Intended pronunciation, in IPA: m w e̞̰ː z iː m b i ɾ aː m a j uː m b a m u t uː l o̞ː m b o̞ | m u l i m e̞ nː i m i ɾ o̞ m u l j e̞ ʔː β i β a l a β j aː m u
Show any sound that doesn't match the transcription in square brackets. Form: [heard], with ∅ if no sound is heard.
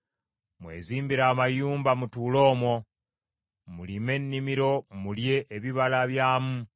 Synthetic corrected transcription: m w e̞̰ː z iː m b i ɾ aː m a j uː m b a m u t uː l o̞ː m [w] o̞ | m u l i m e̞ nː i m i ɾ o̞ m u l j e̞ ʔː β i β a l a β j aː m u